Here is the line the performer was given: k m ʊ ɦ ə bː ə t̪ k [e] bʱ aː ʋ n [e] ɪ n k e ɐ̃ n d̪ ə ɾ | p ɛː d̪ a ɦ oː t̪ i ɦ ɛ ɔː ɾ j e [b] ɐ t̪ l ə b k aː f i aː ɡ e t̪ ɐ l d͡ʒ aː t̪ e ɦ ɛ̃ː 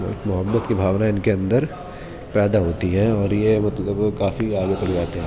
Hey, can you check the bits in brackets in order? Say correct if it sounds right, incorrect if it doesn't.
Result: incorrect: i, incorrect: a, incorrect: m

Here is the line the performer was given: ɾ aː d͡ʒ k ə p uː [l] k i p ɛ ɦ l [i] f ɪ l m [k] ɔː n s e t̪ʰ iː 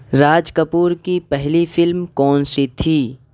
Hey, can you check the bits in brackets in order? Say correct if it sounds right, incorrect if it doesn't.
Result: incorrect: ɾ, correct, correct

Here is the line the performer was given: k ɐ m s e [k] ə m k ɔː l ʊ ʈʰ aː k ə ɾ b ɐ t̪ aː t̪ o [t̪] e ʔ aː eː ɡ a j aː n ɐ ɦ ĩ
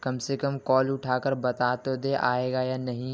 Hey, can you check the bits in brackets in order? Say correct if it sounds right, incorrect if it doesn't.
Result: correct, incorrect: d̪

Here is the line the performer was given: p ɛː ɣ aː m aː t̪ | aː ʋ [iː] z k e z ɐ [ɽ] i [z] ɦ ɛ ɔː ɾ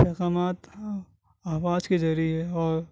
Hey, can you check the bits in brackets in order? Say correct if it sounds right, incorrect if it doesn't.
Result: incorrect: aː, incorrect: ɾ, incorrect: none

